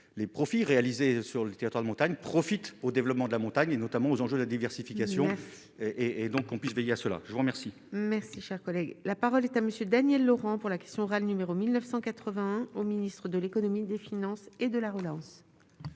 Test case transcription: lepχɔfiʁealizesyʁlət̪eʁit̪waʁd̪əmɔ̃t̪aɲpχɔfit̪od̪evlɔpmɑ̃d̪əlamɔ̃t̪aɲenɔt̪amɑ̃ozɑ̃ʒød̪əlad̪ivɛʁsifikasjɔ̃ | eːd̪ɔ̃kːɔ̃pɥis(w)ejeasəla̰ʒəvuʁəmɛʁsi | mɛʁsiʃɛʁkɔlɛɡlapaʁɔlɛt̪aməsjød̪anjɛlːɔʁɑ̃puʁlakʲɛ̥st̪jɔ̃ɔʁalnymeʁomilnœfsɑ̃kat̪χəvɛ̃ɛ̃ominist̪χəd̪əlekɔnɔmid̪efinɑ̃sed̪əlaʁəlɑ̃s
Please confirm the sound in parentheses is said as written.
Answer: no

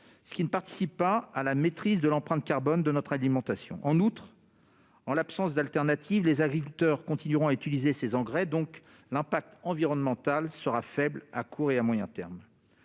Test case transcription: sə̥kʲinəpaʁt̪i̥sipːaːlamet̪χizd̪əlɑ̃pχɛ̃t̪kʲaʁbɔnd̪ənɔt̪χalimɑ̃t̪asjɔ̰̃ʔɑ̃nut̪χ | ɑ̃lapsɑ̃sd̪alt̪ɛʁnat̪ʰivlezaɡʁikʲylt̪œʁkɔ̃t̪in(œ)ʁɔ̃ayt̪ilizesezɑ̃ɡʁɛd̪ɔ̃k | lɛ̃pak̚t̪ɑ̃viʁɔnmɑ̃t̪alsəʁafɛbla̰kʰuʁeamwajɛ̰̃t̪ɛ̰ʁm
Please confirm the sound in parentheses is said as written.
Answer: no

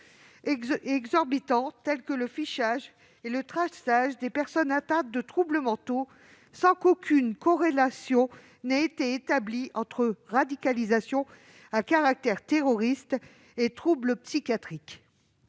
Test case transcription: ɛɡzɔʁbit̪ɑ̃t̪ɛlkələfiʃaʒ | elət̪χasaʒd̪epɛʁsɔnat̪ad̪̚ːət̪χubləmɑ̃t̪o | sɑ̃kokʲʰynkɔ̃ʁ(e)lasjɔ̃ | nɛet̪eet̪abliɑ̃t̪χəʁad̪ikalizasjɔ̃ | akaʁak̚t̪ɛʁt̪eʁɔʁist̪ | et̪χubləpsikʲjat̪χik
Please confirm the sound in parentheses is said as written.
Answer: yes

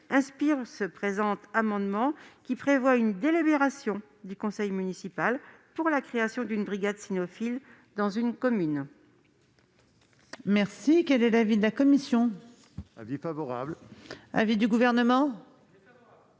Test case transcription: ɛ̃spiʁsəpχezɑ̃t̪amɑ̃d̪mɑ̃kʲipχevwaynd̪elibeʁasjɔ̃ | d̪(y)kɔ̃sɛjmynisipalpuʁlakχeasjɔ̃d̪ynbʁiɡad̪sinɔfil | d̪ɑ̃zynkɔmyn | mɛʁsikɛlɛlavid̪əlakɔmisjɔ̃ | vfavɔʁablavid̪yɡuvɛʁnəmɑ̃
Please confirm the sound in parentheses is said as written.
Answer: yes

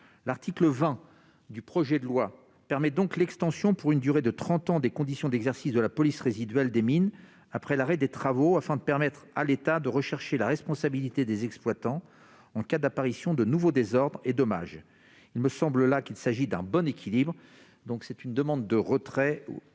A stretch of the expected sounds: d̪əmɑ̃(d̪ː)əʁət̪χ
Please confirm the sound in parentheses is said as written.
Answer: yes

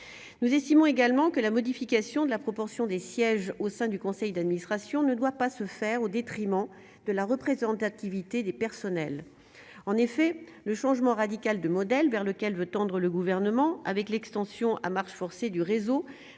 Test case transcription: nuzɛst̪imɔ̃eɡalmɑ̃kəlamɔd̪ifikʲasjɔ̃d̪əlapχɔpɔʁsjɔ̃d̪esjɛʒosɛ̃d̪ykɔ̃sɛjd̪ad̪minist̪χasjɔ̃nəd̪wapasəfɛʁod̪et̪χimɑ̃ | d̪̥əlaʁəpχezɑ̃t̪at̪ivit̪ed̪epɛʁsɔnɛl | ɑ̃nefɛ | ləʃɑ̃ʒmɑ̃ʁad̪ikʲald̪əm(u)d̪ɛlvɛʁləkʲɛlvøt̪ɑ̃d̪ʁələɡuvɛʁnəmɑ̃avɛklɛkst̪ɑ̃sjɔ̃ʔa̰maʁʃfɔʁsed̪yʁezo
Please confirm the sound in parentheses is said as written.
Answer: no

